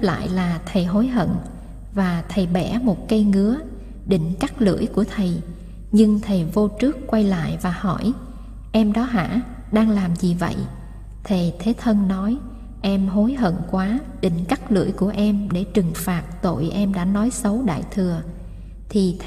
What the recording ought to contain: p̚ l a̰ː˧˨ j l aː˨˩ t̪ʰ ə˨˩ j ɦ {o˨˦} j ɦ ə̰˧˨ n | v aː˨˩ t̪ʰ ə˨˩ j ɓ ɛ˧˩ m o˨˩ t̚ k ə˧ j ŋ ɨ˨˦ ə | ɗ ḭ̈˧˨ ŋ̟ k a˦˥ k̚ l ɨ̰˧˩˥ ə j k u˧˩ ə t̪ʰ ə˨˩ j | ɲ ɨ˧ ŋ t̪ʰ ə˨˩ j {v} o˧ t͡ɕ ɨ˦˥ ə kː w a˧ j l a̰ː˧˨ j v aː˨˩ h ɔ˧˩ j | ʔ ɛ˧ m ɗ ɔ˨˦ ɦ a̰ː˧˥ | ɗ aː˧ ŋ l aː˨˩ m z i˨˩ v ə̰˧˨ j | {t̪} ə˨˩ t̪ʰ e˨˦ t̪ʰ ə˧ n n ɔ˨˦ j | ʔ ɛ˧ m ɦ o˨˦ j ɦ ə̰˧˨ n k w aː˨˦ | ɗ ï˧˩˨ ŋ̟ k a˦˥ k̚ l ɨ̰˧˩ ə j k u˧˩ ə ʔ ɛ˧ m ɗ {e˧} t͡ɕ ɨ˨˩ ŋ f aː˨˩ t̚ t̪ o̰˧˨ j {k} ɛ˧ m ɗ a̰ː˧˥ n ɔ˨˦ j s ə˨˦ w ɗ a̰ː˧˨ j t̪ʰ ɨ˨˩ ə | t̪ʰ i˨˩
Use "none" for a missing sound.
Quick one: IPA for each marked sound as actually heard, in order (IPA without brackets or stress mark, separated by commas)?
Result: o˨˦, v, t̪ʰ, e˧˩, ʔ